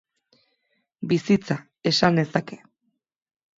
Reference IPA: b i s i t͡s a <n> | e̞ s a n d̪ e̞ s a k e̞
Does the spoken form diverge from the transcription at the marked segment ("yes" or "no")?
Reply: yes